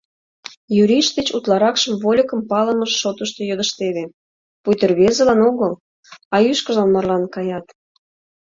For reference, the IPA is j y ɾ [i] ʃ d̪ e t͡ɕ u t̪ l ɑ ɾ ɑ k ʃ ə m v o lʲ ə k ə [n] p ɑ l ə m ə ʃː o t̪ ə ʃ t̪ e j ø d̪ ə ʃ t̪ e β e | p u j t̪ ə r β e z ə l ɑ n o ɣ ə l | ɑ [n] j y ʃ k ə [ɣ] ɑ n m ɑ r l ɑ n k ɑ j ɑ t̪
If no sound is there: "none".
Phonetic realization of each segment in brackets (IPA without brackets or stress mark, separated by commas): i, m, none, ʒ